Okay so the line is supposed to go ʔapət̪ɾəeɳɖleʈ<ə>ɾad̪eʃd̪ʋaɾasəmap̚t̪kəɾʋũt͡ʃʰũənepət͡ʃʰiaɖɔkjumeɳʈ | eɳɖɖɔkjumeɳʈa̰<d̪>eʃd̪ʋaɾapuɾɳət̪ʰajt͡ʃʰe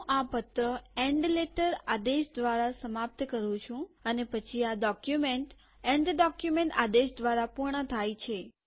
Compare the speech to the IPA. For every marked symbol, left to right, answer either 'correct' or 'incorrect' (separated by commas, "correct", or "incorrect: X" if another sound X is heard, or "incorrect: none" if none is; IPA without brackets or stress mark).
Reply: correct, correct